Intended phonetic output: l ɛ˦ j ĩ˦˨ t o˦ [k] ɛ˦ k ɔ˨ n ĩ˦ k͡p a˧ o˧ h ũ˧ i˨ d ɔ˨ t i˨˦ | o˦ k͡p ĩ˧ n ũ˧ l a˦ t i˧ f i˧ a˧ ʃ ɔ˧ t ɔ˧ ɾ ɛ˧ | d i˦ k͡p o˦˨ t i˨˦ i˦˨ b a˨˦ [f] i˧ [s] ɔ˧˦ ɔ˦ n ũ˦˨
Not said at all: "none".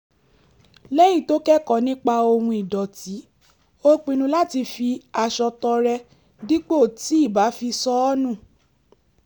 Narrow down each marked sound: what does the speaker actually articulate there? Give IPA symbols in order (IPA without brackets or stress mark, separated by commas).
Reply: k, f, s